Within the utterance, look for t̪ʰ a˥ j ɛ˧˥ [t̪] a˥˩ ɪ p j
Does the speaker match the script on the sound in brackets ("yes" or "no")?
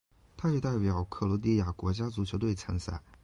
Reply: yes